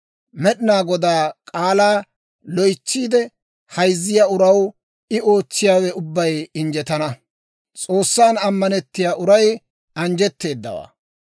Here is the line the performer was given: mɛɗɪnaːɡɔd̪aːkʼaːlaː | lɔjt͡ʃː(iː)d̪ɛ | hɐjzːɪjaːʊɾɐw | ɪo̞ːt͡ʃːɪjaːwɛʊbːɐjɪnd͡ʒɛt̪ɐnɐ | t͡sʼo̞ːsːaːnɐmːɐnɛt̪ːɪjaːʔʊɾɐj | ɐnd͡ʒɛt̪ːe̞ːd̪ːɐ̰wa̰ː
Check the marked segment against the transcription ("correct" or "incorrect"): correct